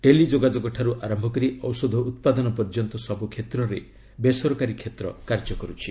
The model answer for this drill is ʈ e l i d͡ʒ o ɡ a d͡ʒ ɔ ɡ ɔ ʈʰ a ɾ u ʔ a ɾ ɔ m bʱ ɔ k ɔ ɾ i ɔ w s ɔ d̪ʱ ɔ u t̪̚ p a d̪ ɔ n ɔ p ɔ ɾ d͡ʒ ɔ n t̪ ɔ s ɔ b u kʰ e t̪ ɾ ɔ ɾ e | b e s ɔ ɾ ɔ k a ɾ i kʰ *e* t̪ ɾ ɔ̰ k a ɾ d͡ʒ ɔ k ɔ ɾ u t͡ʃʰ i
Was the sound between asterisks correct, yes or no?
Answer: yes